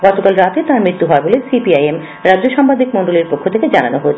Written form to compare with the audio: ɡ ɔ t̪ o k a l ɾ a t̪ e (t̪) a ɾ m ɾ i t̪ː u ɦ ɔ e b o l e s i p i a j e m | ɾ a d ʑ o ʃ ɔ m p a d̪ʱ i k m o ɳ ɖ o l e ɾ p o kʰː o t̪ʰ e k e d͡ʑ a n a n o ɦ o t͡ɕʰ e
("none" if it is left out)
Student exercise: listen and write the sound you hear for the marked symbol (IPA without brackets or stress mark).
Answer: t̪